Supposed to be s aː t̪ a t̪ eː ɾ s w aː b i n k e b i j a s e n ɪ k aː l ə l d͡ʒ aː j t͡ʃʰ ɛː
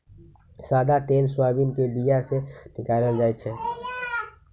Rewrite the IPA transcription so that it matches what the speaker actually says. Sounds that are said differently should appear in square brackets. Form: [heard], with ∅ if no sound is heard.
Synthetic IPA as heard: s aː [d̪] a t̪ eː [l] s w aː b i n k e b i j a s e n ɪ k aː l ə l d͡ʒ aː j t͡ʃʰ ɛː